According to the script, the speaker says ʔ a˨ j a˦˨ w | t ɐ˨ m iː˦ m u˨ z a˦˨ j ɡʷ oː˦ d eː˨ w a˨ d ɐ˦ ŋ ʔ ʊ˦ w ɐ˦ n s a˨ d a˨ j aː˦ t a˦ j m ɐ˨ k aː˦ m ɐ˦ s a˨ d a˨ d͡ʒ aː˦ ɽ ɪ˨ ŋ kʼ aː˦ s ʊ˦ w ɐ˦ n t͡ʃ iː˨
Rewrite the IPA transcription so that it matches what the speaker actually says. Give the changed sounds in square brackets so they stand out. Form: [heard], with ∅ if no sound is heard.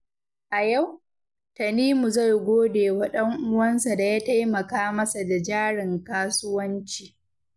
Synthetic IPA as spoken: ʔ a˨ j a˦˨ w | t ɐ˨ [n] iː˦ m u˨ z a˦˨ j ɡʷ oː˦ d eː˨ w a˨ [ɗ] ɐ˦ ŋ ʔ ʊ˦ w ɐ˦ n s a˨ d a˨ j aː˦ t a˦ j m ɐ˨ k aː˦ m ɐ˦ s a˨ d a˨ d͡ʒ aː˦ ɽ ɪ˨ ŋ [k] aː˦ s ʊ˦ w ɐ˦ n t͡ʃ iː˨